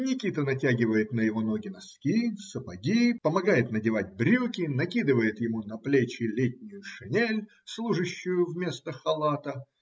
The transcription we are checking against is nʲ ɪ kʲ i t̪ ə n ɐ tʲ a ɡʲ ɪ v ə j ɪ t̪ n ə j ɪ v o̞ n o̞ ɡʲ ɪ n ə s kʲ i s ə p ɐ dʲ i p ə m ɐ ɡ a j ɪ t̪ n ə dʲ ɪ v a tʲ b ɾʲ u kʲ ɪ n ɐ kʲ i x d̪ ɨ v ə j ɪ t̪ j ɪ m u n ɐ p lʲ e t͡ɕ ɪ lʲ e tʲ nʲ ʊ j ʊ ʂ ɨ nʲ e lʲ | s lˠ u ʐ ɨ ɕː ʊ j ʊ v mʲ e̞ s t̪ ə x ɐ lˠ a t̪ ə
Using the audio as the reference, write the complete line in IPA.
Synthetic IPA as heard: nʲ ɪ kʲ i t̪ ə n ɐ tʲ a ɡʲ ɪ v ə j ɪ t̪ n ə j ɪ v o̞ n o̞ ɡʲ ɪ n ɐ s kʲ i s ə p ɐ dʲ i p ə m ɐ ɡ a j ɪ t̪ n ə dʲ ɪ v a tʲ b ɾʲ u kʲ ɪ n ɐ kʲ i d̪ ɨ v ə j ɪ t̪ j ɪ m u n ɐ p lʲ e t͡ɕ ɪ lʲ e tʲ nʲ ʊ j ʊ ʂ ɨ nʲ e lʲ | s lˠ u ʐ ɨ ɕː ʊ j ʊ v mʲ e̞ s t̪ ə x ɐ lˠ a t̪ ə

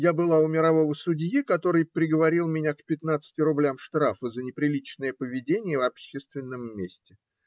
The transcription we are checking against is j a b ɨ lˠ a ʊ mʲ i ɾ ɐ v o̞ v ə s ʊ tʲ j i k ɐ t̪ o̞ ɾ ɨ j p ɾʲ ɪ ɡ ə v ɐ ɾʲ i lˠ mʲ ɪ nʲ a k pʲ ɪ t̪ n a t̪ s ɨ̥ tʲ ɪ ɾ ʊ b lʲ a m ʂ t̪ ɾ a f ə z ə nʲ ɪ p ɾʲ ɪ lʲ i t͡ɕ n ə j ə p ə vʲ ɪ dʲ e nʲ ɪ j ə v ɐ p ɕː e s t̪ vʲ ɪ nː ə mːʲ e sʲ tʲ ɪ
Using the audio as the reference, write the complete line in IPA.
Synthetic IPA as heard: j a b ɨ lˠ a ʊ mʲ ɪ ɾ ɐ v o̞ v ə s ʊ dʲ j i k ɐ t̪ o̞ ɾ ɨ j p ɾʲ ɪ ɡ ə v ɐ ɾʲ i lˠ mʲ ɪ nʲ a k pʲ ɪ t̪ n a t̪ s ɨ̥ tʲ ɪ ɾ ʊ b lʲ a m ʂ t̪ ɾ a f ə z ə nʲ ɪ p ɾʲ ɪ lʲ i t͡ɕ n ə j ə p ə vʲ ɪ dʲ e nʲ ɪ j ə v ɐ p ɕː e s t̪ vʲ ɪ nː ə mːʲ e sʲ tʲ ɪ

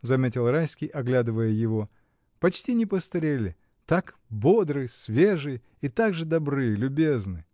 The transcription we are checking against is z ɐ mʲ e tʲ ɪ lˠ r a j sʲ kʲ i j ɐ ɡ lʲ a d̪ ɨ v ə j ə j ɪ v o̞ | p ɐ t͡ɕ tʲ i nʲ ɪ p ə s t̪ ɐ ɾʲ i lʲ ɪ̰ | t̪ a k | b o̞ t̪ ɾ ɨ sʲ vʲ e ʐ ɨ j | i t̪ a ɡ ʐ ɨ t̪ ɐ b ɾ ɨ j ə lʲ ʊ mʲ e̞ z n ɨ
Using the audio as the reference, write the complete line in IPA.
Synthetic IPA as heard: z ɐ mʲ e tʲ ɪ lˠ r a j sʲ kʲ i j ɐ ɡ lʲ a d̪ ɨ v ə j ə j ɪ v o̞ | p ɐ t͡ɕ tʲ i nʲ ɪ p ə s t̪ ɐ ɾʲ e lʲ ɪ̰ | t̪ a k | b o̞ d̪ ɾ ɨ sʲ vʲ e ʐ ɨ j | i t̪ a ɡ ʐ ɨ d̪ ɐ b ɾ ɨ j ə lʲ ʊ bʲ e̞ z n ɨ

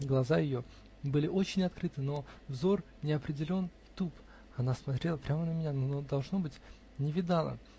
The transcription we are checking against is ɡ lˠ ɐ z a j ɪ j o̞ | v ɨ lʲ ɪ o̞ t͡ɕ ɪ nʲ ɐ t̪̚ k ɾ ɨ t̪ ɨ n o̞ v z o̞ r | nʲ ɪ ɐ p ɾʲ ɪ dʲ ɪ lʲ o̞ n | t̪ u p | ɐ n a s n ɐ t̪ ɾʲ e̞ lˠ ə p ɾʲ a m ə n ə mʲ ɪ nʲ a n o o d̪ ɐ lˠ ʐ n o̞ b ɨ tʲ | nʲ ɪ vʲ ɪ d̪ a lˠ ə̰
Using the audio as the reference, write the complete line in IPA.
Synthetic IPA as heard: ɡ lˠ ɐ z a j ɪ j o̞ | b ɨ lʲ ɪ o̞ t͡ɕ ɪ nʲ ɐ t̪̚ k ɾ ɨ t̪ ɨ n o̞ v z o̞ r | nʲ ɪ ɐ p ɾʲ ɪ dʲ ɪ lʲ o̞ n | t̪ u p | ɐ n a s m ɐ t̪ ɾʲ e̞ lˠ ə p ɾʲ a m ə n ə mʲ ɪ nʲ a n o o d̪ ɐ lˠ ʐ n o̞ b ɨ tʲ | nʲ ɪ vʲ ɪ d̪ a lˠ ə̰

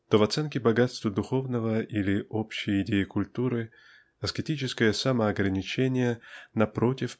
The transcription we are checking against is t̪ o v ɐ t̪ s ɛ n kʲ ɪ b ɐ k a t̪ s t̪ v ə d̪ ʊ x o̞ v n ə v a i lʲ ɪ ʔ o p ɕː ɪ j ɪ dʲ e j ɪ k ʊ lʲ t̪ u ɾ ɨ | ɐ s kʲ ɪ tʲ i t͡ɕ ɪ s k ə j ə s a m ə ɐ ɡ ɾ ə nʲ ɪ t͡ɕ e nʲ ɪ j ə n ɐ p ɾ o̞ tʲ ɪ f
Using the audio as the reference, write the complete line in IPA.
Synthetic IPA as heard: t̪ o v ɐ t̪ s ɛ n kʲ ɪ b ɐ ɡ a t̪ s t̪ v ə d̪ ʊ x o̞ v n ə v ə i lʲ ɪ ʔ o p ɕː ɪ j ɪ dʲ e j ɪ k ʊ lʲ t̪ u ɾ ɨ | ɐ s kʲ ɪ tʲ i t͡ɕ ɪ s k ə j ə s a m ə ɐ ɡ ɾ ə nʲ ɪ t͡ɕ e nʲ ɪ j ə n ɐ p ɾ o̞ tʲ ɪ f

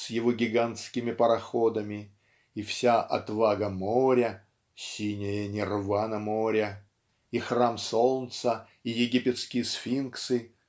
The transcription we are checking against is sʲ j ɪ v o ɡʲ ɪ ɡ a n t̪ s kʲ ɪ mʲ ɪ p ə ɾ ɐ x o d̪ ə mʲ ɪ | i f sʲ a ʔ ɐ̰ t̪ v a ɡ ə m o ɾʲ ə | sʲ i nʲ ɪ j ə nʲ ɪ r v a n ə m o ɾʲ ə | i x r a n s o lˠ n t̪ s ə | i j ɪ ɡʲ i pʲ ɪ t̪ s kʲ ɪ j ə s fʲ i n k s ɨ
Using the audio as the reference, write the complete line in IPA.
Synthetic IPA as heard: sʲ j ɪ v o ɡʲ ɪ ɡ a n t̪ s kʲ ɪ mʲ ɪ p ə ɾ ɐ x o d̪ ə mʲ ɪ | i f sʲ a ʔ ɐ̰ t̪ v a ɡ ə m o ɾʲ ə | sʲ i nʲ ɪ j ə nʲ ɪ r v a n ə m o ɾʲ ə | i x r a m s o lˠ n t̪ s ə | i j ɪ ɡʲ i pʲ ɪ t̪ s kʲ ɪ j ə s fʲ i n k s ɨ

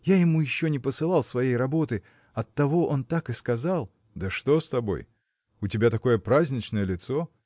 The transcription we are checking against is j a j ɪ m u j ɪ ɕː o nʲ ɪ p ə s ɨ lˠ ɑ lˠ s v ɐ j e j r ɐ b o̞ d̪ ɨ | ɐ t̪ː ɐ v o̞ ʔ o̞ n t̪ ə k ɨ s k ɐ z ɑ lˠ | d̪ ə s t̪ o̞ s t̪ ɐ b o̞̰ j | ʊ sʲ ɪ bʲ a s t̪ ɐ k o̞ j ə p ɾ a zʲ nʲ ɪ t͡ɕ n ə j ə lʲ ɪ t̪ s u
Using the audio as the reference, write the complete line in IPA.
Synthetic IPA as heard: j a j ɪ m u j ɪ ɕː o nʲ ɪ p ə s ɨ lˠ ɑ lˠ s v ɐ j e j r ɐ b o̞ t̪ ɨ | ɐ t̪ː ɐ v o̞ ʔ o̞ n t̪ a k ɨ s k ɐ z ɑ lˠ | d̪ ə ʂ t̪ o̞ s t̪ ɐ b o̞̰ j | ʊ tʲ ɪ bʲ a t̪ ɐ k o̞ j ə p ɾ a zʲ nʲ ɪ t͡ɕ n ə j ə lʲ ɪ t̪ s o

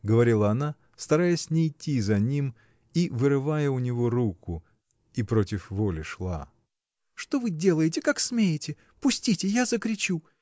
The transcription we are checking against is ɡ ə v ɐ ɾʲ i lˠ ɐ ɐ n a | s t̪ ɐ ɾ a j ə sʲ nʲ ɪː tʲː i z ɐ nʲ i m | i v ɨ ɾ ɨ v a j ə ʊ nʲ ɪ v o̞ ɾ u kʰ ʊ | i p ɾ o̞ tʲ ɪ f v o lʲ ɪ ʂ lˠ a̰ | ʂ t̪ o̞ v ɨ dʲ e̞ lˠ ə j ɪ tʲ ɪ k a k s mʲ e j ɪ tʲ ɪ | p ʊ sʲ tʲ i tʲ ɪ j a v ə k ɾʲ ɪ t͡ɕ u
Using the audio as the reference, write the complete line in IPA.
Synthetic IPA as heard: ɡ ə v ɐ ɾʲ i lˠ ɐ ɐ n a | s t̪ ɐ ɾ a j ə sʲ nʲ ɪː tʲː i z ɐ nʲ i m | i v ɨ ɾ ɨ v a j ə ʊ nʲ ɪ v o̞ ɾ u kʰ ʊ | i p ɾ o̞ tʲ ɪ f v o lʲ ɪ ʂ lˠ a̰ | ʂ t̪ o̞ v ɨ dʲ e̞ lˠ ə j ɪ tʲ ɪ k a k s mʲ e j ɪ tʲ ɪ | p ʊ sʲ tʲ i tʲ ɪ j a z ə k ɾʲ ɪ t͡ɕ u

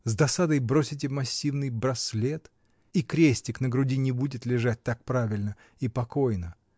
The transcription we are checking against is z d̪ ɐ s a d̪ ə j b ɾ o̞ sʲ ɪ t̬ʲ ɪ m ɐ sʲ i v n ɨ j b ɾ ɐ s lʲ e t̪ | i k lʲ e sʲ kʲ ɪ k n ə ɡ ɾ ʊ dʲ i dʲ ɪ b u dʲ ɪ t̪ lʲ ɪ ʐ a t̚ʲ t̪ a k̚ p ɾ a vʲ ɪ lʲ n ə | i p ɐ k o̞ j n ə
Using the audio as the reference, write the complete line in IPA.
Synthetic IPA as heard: z d̪ ɐ s a d̪ ə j b ɾ o̞ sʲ ɪ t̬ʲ ɪ m ɐ sʲː i v n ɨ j b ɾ ɐ s lʲ e t̪ | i k ɾʲ e sʲ tʲ ɪ k n ə ɡ ɾ ʊ dʲ i nʲ ɪ b u dʲ ɪ t̪ lʲ ɪ ʐ a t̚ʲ t̪ a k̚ p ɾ a vʲ ɪ lʲ n ə | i p ɐ k o̞ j n ə

